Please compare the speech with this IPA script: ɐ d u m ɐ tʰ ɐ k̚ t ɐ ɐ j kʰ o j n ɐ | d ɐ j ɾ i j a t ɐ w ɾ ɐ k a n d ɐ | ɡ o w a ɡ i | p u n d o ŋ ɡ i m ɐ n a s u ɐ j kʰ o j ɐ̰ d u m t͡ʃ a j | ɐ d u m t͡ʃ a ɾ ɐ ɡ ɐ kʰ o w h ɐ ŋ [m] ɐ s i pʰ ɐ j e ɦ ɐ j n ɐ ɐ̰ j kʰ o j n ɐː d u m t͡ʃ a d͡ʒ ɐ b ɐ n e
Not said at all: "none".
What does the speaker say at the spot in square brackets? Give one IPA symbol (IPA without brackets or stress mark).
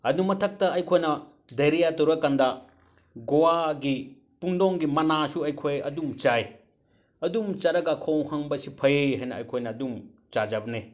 b